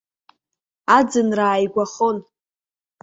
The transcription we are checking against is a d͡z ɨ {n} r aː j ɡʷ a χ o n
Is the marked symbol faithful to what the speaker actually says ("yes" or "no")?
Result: yes